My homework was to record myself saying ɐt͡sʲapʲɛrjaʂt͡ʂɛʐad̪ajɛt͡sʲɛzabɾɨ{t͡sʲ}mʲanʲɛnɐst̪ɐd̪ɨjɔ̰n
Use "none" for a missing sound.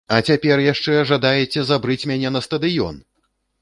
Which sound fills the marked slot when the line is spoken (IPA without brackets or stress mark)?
t͡sʲ